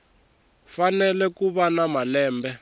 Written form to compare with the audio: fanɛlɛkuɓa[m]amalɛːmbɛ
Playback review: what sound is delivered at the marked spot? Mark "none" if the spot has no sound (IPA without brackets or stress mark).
n